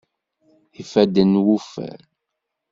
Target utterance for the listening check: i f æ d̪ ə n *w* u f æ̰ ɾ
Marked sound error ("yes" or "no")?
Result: no